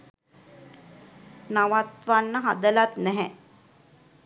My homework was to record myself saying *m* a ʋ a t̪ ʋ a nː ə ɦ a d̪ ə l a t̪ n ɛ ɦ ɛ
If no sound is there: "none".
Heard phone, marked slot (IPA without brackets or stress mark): n